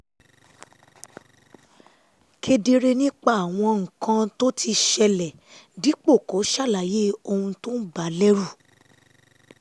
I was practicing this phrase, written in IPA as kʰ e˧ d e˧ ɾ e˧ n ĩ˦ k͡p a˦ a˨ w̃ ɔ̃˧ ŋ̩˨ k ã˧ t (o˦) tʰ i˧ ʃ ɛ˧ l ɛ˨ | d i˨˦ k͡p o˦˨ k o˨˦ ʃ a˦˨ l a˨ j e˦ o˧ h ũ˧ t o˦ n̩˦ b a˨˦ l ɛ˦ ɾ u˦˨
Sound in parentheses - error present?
no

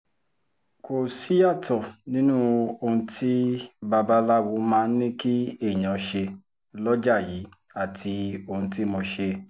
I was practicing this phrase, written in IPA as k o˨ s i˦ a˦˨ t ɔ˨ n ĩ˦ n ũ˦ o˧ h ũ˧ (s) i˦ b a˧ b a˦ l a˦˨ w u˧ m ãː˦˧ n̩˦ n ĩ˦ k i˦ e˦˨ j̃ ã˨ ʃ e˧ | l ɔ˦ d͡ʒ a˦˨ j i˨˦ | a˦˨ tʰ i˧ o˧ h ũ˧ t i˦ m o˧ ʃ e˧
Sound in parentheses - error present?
yes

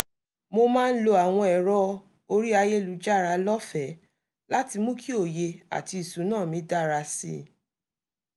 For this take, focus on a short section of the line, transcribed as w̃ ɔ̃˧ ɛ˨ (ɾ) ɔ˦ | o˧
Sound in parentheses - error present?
no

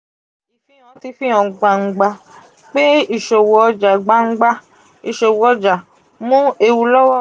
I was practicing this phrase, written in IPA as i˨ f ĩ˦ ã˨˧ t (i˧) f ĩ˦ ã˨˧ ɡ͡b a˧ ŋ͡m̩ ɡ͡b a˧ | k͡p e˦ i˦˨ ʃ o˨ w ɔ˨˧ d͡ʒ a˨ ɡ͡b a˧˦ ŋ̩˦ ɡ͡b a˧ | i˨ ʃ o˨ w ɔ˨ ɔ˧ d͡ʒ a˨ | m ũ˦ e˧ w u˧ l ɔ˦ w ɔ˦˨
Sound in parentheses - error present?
no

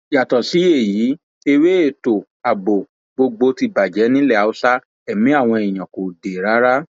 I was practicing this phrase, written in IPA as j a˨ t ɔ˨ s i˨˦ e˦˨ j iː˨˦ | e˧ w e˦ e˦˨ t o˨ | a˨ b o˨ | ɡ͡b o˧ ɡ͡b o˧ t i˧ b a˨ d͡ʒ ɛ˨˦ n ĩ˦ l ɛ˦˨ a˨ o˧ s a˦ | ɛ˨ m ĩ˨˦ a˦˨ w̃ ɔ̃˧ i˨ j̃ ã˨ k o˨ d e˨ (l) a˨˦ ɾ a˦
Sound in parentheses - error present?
yes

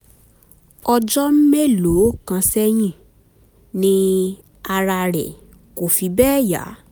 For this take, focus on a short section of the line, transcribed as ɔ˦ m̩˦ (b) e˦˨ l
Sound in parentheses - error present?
yes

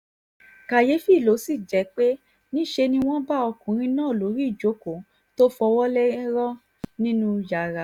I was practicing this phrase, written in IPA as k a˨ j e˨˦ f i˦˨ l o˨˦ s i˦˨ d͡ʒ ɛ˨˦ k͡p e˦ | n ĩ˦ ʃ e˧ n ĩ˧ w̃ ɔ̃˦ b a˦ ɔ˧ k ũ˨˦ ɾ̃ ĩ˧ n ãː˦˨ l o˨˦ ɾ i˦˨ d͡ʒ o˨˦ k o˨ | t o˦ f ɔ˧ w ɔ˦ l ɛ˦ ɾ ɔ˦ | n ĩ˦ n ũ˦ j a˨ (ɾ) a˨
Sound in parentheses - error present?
no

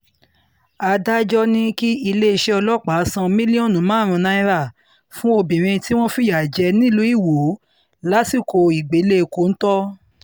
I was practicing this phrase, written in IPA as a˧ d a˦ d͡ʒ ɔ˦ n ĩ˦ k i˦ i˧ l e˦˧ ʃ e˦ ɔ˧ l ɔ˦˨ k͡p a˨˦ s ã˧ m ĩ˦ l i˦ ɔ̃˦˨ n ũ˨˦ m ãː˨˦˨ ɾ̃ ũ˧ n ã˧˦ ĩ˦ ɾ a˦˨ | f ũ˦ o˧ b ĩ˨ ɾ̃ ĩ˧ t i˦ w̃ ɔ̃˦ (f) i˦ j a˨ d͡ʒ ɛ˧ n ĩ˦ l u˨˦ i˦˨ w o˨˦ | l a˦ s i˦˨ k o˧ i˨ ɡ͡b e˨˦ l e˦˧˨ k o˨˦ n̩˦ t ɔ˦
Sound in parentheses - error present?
no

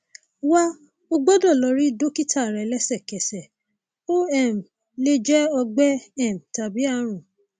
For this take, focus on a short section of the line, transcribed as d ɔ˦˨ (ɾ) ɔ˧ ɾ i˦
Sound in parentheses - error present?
yes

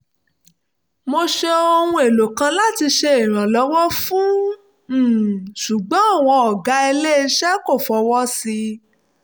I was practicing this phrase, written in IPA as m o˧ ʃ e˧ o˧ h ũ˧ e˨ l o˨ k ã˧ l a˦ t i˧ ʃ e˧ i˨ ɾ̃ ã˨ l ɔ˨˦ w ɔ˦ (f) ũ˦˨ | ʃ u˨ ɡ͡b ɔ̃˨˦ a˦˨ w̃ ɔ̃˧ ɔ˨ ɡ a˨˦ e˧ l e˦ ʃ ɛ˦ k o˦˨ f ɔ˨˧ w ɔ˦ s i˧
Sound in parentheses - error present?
no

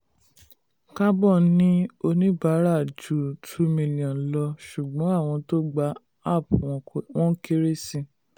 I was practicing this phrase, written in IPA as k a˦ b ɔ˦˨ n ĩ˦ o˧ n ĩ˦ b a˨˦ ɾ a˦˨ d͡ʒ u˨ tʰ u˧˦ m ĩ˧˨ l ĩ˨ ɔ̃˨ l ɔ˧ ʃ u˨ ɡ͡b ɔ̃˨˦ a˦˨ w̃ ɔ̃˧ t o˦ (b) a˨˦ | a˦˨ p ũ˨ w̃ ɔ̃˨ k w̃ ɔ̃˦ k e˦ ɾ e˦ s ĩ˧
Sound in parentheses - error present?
yes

